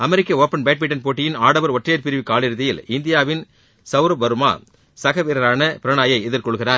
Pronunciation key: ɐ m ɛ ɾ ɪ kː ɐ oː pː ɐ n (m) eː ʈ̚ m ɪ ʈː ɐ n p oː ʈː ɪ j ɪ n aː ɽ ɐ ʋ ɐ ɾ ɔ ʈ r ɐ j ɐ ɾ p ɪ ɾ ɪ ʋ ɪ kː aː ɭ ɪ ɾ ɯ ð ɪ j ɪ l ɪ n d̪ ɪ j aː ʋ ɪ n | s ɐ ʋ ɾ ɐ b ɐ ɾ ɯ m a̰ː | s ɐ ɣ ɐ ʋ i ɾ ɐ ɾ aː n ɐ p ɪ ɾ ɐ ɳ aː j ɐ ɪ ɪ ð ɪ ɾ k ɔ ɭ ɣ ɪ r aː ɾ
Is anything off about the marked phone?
yes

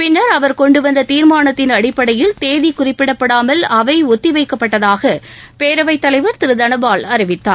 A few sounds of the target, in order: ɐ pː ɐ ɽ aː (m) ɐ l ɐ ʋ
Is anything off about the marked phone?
no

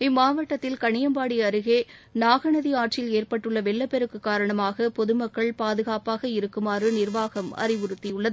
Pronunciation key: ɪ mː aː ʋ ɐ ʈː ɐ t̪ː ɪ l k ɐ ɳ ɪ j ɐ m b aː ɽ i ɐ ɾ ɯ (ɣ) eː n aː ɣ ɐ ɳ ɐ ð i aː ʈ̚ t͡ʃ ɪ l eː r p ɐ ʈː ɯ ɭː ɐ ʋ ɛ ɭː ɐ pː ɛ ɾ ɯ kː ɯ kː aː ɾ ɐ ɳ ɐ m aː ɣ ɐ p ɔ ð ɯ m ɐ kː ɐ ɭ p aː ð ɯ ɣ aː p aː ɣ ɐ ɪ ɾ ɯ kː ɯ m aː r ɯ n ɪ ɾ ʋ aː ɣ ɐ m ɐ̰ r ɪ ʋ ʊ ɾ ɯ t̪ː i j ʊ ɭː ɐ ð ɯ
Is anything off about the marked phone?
no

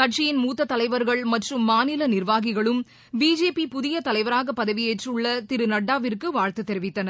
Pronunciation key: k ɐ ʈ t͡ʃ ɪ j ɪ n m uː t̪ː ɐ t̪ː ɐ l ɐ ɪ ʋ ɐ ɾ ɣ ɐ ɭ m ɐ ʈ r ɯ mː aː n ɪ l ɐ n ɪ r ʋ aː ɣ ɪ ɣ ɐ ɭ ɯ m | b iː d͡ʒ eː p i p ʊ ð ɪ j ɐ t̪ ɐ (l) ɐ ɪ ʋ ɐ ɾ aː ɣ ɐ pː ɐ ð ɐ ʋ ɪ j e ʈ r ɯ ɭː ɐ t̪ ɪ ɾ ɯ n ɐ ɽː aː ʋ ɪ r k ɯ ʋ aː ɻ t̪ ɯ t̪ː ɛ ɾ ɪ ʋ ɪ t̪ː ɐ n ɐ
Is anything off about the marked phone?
no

